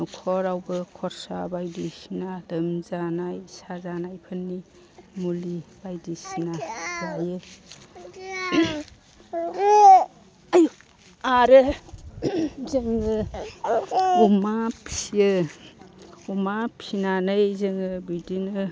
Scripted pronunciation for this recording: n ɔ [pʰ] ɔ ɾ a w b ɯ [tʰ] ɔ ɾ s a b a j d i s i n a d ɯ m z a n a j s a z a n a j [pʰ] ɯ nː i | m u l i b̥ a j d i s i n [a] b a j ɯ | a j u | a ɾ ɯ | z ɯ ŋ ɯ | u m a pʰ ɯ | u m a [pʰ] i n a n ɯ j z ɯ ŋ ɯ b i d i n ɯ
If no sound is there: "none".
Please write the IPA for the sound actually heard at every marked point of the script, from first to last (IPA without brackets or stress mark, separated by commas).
kʰ, kʰ, pʰ, a, pʰ